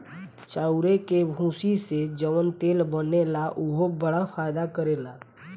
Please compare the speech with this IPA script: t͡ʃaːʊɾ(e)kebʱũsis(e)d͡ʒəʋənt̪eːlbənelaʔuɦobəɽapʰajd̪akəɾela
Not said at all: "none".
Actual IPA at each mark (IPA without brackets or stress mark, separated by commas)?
e, e